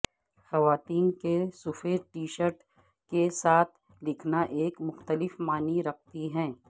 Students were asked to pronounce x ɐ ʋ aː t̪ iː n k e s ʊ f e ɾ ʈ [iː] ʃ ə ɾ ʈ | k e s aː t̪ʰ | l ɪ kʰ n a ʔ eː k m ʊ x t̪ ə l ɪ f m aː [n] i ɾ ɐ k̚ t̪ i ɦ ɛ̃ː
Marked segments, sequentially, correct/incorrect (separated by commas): correct, correct